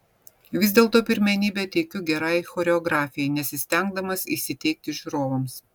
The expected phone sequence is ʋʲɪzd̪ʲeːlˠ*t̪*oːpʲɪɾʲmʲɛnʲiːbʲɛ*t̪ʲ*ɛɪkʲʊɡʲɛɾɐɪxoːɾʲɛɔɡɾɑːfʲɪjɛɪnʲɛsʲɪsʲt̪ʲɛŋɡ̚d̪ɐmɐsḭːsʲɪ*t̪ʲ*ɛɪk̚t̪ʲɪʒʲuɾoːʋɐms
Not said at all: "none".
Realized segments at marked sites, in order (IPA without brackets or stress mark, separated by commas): t̪, t̪ʲ, t̪ʲ